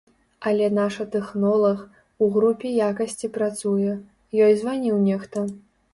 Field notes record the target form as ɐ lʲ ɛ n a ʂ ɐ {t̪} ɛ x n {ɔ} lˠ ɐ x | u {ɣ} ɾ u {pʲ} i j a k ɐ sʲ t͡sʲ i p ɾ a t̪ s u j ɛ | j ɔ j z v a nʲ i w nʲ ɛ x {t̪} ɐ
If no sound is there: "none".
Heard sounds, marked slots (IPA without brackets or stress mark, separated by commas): t̪, ɔ, ɣ, pʲ, t̪